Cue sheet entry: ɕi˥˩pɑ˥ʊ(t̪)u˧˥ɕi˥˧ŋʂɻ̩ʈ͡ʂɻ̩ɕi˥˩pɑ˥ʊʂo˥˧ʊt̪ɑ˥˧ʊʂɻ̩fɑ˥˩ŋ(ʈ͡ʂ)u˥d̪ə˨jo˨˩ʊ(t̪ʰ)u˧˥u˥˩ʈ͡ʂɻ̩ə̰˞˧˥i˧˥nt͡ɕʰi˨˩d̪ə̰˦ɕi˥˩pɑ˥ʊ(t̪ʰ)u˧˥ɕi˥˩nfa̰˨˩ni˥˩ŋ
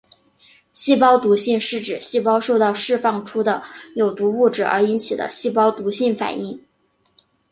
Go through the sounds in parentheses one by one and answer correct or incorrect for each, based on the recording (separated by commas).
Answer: correct, incorrect, incorrect, incorrect